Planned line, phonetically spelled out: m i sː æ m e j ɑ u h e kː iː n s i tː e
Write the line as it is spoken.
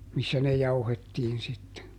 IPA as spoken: m i sː æ n e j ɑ u h e tː iː n s i tː e

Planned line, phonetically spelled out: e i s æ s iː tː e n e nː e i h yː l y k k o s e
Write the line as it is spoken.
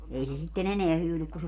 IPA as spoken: e i s e s i tː e n e n e æ h yː l y k k u s e

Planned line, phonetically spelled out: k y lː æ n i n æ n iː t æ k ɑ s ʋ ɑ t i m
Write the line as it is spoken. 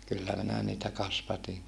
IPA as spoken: k y lː æ m i n æ n iː t æ k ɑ s ʋ ɑ t i ŋ

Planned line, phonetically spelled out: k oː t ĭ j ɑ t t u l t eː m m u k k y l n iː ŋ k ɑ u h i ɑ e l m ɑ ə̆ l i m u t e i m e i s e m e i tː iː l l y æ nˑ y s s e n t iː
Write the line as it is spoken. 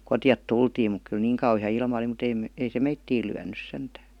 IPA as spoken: k o t ĭ j ɑ t t u l t iː m m u k k y l n iː ŋ k ɑ u h i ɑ i l m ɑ ə̆ l i m u t e i m e i s e m e i tː iː l l y æ nˑ y s s e n t æː

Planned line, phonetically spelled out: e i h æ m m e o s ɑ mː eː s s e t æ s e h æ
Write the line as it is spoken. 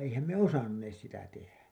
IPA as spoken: e i h æ m m e o s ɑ nː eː s s i t æ t e h æ

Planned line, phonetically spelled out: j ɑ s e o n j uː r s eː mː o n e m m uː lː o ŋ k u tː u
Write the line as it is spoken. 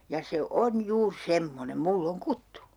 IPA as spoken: j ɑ s e o n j uː r s e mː o n e m m u lː o ŋ k u tː u

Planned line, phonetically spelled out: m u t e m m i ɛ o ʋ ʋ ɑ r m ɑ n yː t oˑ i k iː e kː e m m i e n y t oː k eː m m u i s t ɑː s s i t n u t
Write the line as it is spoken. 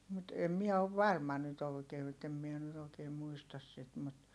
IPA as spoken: m u t e m m i ɛ o ʋ ʋ ɑ r m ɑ n y t oˑ i k eː e tː e m m i e n y t oː k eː m m u i s t ɑ s s i t m u t

